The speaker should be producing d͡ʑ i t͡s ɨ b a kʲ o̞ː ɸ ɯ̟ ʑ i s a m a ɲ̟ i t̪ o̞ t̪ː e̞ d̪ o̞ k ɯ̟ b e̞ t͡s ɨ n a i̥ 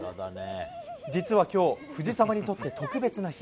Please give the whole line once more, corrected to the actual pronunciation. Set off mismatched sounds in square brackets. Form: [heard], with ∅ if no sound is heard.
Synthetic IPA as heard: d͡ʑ i t͡s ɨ [β] a kʲ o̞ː ɸ ɯ̟ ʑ i s a m a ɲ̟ i t̪ o̞ t̪ː e̞ [t̪] o̞ k ɯ̟ b e̞ t͡s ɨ n a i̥